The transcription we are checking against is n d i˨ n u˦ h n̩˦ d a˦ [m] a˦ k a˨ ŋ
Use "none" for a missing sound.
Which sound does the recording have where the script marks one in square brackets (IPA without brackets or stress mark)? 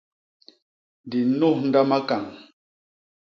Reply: m